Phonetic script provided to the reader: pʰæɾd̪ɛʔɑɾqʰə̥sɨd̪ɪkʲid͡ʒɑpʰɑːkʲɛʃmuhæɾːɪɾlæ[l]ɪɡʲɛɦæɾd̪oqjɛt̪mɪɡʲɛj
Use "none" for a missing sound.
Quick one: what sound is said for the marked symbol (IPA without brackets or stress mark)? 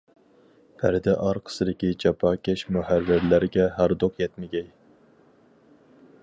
ɾ